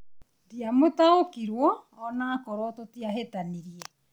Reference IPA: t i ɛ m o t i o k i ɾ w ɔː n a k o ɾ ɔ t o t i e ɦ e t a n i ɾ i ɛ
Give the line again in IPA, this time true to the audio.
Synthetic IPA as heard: t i a m o t a o k i ɾ w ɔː n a k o ɾ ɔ t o t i a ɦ e t a n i ɾ i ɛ